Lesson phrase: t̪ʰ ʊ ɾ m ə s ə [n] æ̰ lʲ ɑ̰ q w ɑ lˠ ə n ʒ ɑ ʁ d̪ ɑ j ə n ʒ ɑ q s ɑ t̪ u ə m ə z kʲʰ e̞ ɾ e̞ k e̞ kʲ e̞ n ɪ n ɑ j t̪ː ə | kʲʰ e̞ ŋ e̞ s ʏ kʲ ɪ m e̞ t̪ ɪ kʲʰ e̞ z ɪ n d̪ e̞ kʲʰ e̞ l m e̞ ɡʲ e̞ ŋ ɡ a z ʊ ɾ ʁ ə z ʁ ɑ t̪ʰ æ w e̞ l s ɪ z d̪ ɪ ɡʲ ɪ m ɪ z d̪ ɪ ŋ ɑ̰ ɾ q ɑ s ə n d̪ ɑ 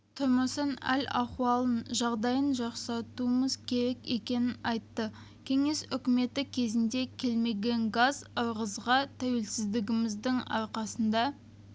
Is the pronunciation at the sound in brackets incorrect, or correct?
correct